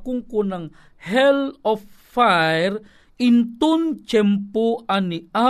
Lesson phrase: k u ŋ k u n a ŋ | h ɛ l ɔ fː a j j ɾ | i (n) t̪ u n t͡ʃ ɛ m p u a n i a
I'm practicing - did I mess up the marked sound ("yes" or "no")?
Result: no